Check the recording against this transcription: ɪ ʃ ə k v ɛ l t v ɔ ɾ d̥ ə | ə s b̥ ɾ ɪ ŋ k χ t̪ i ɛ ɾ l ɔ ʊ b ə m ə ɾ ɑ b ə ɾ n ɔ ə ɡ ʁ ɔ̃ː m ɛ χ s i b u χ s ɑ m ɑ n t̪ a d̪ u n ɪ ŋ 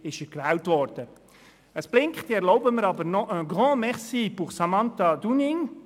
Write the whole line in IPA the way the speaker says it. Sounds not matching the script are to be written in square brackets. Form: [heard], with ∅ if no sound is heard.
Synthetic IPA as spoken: ɪ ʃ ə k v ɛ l t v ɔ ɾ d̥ ə | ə s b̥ [l] ɪ ŋ k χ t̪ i ɛ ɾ l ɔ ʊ b ə m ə ɾ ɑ b ə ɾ n ɔ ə ɡ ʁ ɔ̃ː m ɛ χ s i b u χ s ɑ m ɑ n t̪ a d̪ u n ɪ ŋ